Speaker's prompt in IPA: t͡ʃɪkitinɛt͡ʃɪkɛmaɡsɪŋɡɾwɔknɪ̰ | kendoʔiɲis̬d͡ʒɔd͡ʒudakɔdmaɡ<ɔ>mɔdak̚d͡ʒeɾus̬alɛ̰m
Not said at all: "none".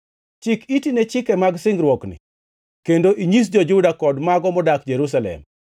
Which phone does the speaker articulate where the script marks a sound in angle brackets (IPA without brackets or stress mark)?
ɔ